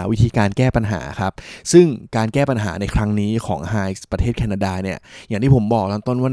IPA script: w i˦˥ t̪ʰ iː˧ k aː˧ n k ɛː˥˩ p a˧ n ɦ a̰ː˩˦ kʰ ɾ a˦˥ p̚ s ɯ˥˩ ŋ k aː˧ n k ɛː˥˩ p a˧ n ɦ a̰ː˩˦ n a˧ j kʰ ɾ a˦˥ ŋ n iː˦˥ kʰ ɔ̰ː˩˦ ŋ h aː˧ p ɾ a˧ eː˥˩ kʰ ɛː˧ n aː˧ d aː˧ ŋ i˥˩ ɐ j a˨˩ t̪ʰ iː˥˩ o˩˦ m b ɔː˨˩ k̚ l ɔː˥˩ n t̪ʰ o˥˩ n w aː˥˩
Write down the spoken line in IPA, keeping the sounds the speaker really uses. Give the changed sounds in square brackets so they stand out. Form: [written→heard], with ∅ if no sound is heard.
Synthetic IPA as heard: w i˦˥ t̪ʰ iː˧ k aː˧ n k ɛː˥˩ p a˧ n ɦ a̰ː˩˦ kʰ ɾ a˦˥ p̚ s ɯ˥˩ ŋ k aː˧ n k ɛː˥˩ p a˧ n ɦ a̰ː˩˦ n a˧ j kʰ ɾ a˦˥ ŋ n iː˦˥ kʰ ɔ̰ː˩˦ ŋ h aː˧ p ɾ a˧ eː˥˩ kʰ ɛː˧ n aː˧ d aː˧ [ŋ→n] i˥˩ ɐ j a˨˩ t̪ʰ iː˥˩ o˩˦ m b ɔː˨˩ k̚ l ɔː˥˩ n [t̪ʰ→t̪] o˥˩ n w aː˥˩